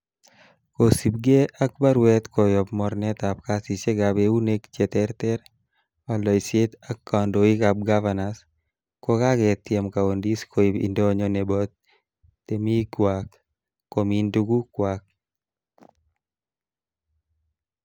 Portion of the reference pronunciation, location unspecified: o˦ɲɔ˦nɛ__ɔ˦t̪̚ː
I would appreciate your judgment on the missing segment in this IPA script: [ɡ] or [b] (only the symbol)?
b